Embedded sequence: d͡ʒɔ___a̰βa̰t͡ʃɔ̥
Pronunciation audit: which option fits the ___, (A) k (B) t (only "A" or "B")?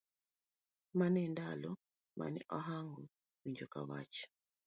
A